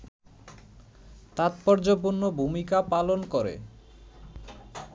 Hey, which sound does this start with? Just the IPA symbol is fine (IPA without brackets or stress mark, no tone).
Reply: t̪